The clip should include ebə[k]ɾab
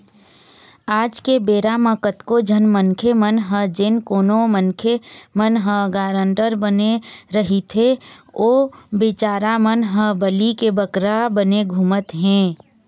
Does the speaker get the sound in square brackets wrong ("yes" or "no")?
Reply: no